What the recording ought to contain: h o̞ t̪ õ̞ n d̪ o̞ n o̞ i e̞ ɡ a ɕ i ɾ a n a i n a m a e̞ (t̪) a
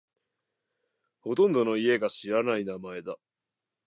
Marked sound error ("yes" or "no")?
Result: yes